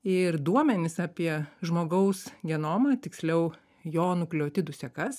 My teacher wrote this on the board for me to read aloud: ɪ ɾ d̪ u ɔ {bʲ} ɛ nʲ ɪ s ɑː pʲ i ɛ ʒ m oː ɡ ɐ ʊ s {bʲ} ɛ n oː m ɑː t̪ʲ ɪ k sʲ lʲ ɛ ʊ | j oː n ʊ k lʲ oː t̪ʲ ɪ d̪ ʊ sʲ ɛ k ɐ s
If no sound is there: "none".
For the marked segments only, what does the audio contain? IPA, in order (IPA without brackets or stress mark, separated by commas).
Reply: mʲ, ɡʲ